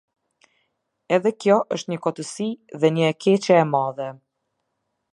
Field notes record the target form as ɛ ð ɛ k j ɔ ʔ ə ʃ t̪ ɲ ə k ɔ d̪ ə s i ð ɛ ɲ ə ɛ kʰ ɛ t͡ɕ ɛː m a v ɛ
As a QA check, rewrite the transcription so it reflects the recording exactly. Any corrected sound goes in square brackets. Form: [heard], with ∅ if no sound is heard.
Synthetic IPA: ɛ ð ɛ k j ɔ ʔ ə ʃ t̪ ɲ ə k ɔ [t̪] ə s i ð ɛ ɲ ə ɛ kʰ ɛ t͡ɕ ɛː m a [ð] ɛ